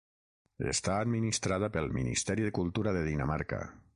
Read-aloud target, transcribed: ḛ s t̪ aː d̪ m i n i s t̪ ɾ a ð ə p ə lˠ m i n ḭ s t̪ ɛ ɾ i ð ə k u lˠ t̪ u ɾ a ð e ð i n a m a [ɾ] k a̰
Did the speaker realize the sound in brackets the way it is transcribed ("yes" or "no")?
yes